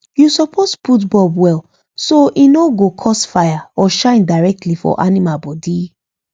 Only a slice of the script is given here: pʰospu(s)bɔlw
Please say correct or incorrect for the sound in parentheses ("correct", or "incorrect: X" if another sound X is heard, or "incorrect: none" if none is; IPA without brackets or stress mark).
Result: incorrect: t